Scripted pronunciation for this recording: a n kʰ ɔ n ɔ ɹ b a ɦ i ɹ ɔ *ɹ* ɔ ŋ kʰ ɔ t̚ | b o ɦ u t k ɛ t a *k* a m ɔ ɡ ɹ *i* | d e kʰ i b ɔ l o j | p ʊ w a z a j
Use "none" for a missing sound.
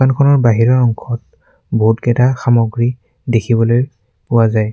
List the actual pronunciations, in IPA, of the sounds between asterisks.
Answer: ɹ, x, i

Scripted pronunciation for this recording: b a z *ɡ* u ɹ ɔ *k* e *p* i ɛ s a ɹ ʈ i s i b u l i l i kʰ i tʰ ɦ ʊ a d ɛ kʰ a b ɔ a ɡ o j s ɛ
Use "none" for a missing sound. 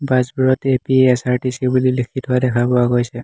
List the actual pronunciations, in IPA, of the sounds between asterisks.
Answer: b, t, p

